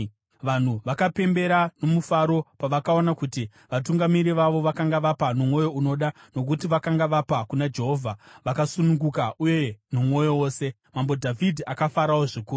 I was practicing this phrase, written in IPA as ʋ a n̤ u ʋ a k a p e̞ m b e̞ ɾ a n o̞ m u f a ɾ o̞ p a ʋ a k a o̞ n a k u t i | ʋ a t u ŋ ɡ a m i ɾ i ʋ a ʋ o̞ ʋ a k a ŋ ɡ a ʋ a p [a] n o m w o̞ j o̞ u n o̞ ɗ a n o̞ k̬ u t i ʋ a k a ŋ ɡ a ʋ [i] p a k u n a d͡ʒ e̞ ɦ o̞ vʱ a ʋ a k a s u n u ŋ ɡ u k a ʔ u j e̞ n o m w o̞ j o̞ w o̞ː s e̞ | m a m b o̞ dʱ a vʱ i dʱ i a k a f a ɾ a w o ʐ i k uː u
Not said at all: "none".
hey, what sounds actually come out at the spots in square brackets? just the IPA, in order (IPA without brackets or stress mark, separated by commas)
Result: a, a